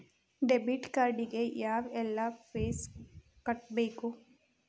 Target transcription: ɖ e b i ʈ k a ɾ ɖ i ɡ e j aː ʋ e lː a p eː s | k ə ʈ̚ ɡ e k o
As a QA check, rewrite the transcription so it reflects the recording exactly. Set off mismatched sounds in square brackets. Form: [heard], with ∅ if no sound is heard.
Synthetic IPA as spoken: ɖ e b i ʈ k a ɾ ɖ i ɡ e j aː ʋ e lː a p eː s | k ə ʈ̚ [b] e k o